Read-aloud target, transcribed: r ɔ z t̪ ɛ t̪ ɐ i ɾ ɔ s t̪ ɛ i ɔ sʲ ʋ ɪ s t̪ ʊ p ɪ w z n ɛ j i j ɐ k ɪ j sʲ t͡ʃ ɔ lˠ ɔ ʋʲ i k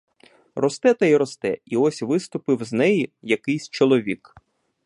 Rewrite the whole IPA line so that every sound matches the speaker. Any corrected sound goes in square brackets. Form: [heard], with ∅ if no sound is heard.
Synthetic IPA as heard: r ɔ [s] t̪ ɛ t̪ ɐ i ɾ ɔ s t̪ ɛ i ɔ sʲ ʋ ɪ s t̪ ʊ p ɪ w z n ɛ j i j ɐ k ɪ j sʲ t͡ʃ ɔ lˠ ɔ ʋʲ i k